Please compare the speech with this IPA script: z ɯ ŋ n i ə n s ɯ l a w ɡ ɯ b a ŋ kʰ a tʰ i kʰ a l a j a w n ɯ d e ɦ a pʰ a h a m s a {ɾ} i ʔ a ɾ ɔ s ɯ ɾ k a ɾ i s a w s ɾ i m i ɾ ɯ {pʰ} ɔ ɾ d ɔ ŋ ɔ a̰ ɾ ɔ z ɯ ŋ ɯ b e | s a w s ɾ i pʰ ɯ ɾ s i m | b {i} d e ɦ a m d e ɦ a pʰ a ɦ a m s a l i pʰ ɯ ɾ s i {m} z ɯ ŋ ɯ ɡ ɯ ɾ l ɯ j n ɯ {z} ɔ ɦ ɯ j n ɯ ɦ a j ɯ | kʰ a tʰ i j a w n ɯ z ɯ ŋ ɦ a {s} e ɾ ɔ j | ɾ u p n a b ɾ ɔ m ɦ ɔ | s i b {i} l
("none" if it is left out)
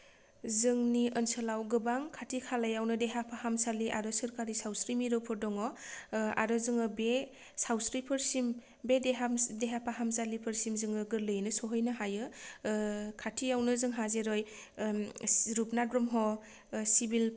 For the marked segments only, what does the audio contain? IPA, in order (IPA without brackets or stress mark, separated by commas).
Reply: l, pʰ, e, m, s, z, i